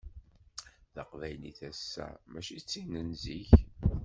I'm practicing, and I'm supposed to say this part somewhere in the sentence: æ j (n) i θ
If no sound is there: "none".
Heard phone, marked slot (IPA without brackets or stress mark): n